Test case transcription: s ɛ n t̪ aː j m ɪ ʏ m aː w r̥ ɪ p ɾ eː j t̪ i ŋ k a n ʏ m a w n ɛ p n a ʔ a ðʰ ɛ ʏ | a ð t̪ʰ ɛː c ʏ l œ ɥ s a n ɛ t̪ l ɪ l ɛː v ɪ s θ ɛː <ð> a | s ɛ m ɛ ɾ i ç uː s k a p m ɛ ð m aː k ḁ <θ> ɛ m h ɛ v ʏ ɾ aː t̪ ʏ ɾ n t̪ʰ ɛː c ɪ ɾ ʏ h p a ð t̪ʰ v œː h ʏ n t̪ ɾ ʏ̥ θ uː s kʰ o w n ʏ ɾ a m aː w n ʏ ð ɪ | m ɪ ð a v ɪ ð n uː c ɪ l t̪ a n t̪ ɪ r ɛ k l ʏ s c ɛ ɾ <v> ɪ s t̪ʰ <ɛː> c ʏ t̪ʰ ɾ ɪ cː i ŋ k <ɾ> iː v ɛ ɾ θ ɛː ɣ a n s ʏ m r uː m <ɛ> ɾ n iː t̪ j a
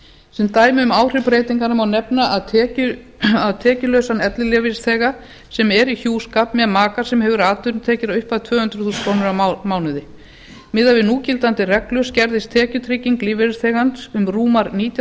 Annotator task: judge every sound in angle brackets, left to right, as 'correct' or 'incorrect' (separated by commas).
incorrect, incorrect, incorrect, correct, incorrect, incorrect